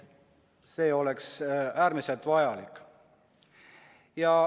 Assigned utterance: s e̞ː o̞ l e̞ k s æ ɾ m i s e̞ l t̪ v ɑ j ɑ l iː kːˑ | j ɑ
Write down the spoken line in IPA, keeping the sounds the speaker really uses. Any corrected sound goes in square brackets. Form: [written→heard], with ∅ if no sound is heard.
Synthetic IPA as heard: s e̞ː o̞ l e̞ k s [æ→æː] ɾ m i s e̞ l t̪ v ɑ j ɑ l [iː→i] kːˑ | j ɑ